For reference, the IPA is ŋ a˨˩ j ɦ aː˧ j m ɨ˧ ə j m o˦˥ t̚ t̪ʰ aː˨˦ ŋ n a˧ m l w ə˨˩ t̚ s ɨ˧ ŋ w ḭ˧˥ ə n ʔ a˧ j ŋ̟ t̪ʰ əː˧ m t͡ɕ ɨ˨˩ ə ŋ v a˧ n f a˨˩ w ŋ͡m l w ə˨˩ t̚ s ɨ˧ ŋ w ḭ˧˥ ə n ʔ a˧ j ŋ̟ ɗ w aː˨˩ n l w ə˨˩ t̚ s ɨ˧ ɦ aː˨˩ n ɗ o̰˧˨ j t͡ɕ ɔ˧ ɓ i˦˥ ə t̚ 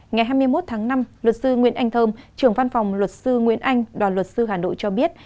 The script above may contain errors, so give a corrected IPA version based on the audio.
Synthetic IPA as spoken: ŋ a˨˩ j ɦ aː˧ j m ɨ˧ ə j m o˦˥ t̚ t̪ʰ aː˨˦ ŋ n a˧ m l w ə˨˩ t̚ s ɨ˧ ŋ w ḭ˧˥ ə n ʔ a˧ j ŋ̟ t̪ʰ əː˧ m t͡ɕ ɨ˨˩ ə ŋ v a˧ n f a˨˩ w ŋ͡m l w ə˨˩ t̚ s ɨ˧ ŋ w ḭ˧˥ ə n ʔ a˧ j ŋ̟ ɗ w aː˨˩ n l w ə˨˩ t̚ s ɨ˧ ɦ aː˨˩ n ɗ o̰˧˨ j t͡ɕ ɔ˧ ɓ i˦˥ ə t̚